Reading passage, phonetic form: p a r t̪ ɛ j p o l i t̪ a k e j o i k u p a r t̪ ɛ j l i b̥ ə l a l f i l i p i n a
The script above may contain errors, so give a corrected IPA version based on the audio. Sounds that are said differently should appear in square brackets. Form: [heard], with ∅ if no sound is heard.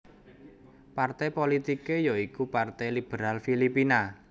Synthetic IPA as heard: p a r t̪ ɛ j p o l i t̪ [i] k e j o i k u p a r t̪ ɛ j l i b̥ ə [ɾ] a l f i l i p i n a